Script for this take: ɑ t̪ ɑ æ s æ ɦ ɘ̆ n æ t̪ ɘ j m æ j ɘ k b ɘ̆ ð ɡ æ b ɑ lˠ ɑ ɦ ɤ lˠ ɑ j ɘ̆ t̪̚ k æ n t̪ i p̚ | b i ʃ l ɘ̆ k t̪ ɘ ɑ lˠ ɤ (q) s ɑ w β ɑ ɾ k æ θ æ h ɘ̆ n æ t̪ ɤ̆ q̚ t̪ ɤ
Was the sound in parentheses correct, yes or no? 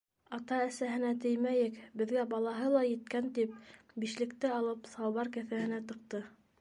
no